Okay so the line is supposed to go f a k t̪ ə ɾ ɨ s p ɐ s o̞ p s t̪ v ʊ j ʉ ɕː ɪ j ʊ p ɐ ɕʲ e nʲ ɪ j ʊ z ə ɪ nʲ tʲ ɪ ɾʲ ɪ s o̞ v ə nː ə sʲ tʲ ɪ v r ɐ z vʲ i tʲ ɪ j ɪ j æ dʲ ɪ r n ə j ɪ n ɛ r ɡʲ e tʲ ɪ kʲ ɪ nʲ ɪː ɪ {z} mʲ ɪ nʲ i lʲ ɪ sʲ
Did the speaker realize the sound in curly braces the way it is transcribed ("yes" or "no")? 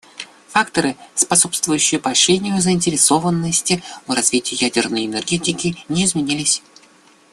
yes